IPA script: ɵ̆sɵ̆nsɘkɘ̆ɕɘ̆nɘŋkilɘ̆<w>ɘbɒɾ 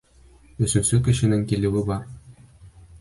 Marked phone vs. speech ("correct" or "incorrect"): correct